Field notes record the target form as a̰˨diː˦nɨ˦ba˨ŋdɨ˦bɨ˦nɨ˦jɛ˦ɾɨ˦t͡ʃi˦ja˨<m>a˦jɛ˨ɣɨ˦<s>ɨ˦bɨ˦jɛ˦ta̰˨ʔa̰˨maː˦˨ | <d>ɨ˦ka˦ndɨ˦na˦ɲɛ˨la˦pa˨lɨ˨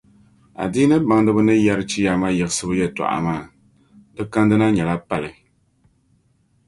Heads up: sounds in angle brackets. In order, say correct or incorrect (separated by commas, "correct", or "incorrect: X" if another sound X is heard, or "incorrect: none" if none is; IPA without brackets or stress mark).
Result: correct, correct, correct